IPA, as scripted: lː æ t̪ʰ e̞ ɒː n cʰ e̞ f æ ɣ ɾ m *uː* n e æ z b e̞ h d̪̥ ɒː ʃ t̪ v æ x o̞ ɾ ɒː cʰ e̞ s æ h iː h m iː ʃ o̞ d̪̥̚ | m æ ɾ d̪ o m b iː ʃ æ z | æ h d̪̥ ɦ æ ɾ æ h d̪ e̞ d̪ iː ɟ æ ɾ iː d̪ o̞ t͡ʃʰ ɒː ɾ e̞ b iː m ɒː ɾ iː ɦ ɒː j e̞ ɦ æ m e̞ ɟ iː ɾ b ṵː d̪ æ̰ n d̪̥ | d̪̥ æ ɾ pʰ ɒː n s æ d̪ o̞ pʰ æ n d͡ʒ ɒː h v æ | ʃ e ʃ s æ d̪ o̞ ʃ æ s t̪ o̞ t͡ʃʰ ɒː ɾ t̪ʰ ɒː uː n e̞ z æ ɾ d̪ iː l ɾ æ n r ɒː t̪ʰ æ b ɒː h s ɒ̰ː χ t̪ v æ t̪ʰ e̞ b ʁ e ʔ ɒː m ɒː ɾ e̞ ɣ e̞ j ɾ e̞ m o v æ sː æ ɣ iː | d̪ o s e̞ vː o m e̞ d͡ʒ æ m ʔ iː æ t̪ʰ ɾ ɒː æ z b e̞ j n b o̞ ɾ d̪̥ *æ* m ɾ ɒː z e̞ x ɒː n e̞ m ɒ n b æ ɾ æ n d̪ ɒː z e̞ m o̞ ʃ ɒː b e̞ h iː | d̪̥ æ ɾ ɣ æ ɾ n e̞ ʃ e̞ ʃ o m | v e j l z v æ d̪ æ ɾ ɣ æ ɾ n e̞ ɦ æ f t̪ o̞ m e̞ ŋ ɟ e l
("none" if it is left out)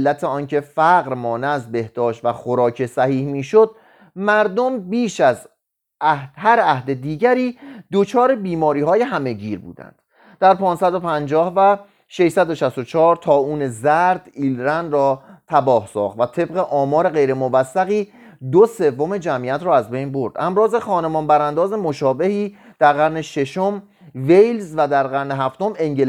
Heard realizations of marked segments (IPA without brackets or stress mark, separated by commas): ɒː, æ